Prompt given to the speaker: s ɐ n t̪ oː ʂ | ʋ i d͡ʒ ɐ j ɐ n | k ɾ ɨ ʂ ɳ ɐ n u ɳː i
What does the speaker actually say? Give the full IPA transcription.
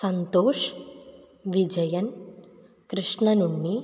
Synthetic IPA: s ɐ n t̪ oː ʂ | ʋ i d͡ʒ ɐ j ɐ n | k ɾ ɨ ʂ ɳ ɐ n u ɳː i